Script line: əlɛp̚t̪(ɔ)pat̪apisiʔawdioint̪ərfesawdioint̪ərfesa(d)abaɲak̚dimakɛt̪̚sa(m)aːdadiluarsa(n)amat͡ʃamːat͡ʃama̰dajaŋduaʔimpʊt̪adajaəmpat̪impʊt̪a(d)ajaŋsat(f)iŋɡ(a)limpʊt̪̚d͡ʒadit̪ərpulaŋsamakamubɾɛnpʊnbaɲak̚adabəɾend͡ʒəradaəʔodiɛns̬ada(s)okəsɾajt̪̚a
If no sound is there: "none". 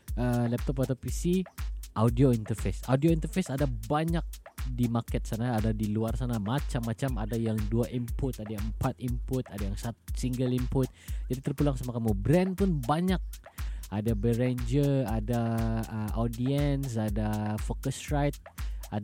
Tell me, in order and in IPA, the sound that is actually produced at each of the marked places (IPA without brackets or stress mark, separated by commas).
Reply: ɔ, d, n, n, d, s, ə, f